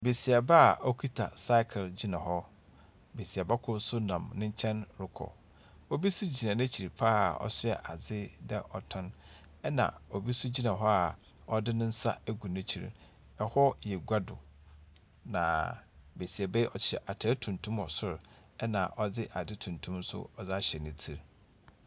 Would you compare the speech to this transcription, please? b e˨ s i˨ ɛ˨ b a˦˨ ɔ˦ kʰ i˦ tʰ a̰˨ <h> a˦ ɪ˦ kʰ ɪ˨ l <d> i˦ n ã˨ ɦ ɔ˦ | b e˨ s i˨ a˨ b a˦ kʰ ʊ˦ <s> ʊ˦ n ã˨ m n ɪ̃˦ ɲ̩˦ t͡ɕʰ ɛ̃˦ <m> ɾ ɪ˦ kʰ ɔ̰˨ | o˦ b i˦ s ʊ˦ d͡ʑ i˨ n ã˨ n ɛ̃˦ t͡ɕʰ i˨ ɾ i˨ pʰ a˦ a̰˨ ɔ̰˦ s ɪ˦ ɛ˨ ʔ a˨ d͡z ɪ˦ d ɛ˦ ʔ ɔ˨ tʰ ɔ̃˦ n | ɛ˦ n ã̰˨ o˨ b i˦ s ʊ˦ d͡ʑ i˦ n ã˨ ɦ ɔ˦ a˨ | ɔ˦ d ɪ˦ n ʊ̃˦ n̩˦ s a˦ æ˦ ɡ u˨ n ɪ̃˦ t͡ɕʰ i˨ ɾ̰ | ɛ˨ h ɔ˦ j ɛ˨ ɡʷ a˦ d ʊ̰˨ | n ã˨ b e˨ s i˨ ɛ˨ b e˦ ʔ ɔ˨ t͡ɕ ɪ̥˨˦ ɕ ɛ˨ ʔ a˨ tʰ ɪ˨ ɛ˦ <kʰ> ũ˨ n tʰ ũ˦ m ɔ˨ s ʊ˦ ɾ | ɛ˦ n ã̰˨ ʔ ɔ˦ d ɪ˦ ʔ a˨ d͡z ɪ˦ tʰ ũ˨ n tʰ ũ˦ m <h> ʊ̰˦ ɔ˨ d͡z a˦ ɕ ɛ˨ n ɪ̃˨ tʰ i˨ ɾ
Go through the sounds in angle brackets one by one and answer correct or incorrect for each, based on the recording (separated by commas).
incorrect, incorrect, correct, incorrect, incorrect, incorrect